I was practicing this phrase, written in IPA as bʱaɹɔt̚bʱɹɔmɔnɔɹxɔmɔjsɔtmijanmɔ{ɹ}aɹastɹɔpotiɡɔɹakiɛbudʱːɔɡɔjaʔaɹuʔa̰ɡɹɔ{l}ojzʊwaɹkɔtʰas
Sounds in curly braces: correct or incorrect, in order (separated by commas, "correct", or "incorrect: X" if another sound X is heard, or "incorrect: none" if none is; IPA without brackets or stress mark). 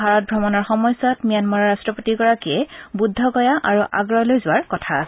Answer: correct, correct